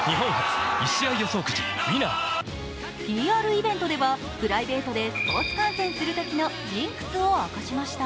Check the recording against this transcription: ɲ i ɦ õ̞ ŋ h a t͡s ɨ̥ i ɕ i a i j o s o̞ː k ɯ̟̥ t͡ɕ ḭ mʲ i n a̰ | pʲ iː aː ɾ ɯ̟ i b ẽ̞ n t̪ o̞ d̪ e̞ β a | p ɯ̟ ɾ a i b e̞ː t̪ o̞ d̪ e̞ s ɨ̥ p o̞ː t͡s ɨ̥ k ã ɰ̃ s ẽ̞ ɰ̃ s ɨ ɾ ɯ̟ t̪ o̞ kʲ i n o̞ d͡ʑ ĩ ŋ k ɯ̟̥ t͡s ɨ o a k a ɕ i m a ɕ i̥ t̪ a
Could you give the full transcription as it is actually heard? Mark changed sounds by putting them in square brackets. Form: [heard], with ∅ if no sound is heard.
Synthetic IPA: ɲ i ɦ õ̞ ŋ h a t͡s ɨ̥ i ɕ i a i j o s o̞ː k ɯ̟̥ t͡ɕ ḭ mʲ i n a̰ | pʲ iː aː ɾ ɯ̟ i b ẽ̞ n t̪ o̞ d̪ e̞ β a | p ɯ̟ ɾ a i b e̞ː t̪ o̞ d̪ e̞ s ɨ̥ p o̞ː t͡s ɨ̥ k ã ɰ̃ s ẽ̞ ɰ̃ s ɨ ɾ ɯ̟ t̪ o̞ kʲ i n o̞ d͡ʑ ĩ ŋ k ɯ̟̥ t͡s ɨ o a k a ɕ i m a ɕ i̥ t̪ a